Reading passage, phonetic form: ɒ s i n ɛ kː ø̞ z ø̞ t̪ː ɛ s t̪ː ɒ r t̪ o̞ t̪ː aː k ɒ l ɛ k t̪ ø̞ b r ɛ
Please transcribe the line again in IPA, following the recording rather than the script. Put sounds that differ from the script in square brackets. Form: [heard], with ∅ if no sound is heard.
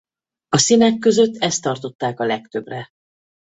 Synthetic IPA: ɒ s i n ɛ kː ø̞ z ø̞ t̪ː ɛ s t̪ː ɒ r t̪ o̞ t̪ː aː k ɒ l ɛ k t̪ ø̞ b r ɛ